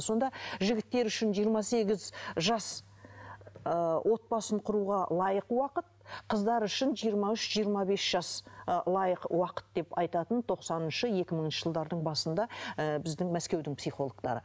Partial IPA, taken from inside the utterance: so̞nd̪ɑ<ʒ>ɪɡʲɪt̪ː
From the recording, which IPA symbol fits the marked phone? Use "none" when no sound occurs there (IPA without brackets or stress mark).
ʒ